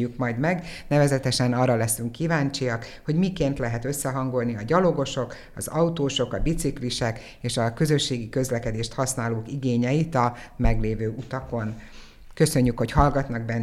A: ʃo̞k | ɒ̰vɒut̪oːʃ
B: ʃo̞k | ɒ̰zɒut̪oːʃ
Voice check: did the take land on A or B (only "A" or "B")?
B